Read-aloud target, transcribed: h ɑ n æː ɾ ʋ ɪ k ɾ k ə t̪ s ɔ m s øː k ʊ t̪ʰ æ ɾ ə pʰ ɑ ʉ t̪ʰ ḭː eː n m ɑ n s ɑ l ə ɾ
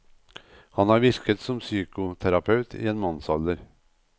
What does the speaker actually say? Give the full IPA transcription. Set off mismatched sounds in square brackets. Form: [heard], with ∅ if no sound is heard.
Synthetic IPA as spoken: h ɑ n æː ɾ ʋ ɪ [∅] ɾ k ə t̪ s ɔ m s [yː] k ʊ t̪ʰ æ ɾ [ɑ] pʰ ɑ ʉ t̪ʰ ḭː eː n m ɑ n s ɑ l ə ɾ